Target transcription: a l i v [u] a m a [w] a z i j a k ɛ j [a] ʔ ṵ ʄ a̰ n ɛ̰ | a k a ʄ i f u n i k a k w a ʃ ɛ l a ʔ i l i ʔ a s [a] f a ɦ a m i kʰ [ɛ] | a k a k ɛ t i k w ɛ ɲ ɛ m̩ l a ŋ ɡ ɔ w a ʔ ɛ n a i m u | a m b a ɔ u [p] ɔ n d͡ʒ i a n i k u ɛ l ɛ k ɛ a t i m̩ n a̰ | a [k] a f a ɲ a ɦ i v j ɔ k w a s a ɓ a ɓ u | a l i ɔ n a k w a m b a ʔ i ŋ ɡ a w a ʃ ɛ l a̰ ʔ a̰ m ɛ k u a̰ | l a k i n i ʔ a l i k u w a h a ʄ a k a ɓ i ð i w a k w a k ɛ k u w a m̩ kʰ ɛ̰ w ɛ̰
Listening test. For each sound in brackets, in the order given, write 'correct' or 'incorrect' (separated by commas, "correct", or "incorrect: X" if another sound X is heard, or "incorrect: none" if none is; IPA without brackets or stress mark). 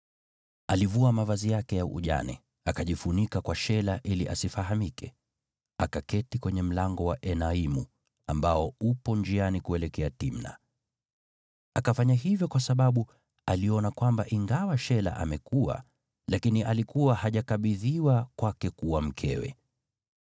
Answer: correct, incorrect: v, correct, incorrect: i, correct, correct, correct